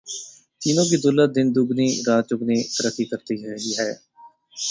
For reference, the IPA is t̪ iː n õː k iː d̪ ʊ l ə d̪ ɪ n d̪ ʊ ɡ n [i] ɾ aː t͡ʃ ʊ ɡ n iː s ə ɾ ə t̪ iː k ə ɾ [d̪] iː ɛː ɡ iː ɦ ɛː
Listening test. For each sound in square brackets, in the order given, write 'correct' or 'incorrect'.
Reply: incorrect: iː, incorrect: t̪

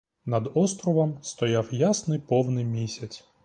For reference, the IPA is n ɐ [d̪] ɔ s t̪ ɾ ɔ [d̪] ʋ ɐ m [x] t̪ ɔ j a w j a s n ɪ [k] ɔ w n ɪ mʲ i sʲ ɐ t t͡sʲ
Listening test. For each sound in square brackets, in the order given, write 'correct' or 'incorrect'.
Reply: correct, incorrect: none, incorrect: s, incorrect: p

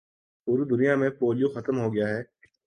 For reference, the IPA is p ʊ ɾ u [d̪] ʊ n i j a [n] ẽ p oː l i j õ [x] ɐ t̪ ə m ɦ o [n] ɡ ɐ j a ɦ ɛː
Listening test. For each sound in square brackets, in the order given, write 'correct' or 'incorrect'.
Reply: correct, incorrect: m, correct, incorrect: none

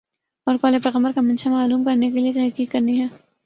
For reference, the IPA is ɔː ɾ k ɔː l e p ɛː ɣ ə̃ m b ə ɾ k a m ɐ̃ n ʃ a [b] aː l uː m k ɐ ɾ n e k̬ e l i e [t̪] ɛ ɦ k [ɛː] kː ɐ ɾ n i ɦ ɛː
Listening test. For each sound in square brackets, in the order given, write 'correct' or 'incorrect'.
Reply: incorrect: m, correct, incorrect: iː

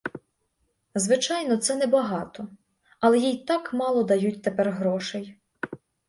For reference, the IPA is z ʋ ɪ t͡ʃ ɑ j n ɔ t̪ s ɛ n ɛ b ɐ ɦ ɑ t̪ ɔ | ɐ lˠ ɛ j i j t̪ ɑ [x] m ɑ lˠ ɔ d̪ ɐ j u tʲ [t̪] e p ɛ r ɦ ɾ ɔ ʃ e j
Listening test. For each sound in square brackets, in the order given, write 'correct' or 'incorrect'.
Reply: incorrect: k, correct

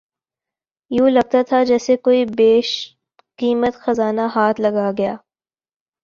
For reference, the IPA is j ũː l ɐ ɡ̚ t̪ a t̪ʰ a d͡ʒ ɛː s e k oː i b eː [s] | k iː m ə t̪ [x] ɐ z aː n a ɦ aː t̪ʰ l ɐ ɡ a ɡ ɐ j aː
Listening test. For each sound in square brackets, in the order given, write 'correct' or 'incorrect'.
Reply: incorrect: ʃ, correct

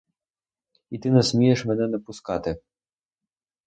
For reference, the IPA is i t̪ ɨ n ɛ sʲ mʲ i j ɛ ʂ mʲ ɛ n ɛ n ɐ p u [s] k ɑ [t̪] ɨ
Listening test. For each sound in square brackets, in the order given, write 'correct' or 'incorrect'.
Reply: correct, correct

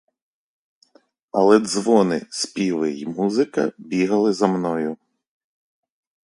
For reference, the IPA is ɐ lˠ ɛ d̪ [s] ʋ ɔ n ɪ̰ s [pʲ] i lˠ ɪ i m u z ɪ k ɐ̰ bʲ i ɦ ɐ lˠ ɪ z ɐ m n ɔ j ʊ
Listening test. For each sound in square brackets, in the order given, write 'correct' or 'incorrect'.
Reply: incorrect: z, correct

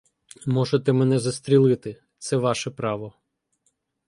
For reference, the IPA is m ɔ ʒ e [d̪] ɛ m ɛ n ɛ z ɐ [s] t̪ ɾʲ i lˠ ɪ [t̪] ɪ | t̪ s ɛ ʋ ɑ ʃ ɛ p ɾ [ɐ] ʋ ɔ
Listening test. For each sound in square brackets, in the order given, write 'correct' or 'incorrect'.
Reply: incorrect: t̪, correct, correct, incorrect: ɑ

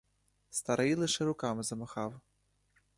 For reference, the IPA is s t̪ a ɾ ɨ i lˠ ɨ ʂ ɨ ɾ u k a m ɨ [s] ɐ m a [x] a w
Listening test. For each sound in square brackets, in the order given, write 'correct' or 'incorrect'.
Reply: incorrect: z, correct

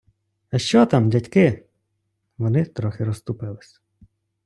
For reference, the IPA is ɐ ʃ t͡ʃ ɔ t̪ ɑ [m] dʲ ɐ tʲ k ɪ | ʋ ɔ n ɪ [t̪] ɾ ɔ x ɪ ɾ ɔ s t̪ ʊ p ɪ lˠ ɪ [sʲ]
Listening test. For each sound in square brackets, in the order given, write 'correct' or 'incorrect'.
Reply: correct, correct, correct

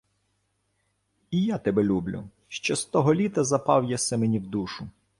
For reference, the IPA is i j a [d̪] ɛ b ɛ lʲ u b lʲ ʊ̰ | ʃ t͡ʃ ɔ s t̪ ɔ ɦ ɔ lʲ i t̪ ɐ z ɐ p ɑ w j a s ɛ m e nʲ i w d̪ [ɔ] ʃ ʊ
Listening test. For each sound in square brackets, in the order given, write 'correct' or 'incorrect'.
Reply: incorrect: t̪, incorrect: u

